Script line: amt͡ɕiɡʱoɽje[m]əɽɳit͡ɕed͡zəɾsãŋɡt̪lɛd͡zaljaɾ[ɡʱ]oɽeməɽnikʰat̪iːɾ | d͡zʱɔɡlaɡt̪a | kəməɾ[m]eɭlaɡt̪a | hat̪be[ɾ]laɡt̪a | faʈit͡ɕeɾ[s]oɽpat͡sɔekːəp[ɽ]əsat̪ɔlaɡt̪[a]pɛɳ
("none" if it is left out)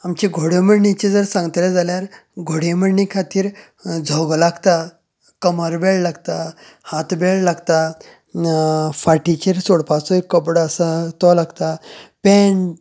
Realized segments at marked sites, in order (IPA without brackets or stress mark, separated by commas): m, ɡʱ, b, ɭ, s, ɽ, a